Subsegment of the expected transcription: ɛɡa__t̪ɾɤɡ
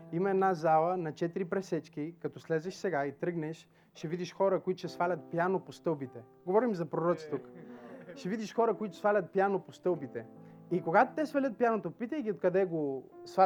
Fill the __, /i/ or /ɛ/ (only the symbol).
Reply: i